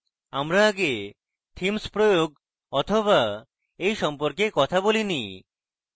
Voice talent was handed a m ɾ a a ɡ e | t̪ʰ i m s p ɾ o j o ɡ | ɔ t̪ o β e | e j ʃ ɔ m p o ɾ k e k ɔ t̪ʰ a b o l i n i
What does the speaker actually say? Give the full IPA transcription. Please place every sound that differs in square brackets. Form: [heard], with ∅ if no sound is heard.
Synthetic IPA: a m ɾ a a ɡ e | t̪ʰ i m s p ɾ o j o ɡ | ɔ [t̪ʰ] o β [a] | e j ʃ ɔ m p o ɾ k e k ɔ t̪ʰ a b o l i n i